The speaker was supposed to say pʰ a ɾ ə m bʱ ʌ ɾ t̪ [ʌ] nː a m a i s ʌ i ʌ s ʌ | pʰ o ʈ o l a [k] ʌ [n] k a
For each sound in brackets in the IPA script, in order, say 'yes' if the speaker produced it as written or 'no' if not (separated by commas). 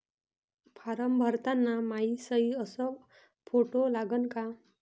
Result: no, no, yes